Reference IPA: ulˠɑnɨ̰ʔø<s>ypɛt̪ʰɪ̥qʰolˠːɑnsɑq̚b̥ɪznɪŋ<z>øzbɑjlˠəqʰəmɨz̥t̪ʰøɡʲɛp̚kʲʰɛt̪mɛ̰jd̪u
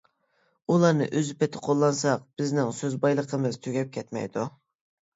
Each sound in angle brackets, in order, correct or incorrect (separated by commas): incorrect, incorrect